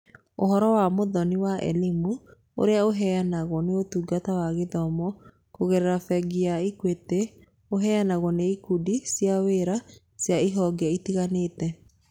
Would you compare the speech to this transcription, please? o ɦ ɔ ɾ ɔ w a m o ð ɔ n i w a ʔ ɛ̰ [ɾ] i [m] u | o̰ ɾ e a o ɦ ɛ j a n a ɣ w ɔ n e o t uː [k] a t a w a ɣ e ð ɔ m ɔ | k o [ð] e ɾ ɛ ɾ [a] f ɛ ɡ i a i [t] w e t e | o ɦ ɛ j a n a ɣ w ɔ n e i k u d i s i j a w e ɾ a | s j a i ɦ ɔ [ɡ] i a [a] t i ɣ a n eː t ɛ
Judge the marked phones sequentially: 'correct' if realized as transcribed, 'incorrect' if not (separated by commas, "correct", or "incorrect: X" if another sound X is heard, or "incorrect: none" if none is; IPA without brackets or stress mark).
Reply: incorrect: l, correct, incorrect: ɡ, incorrect: ɣ, correct, incorrect: k, correct, incorrect: i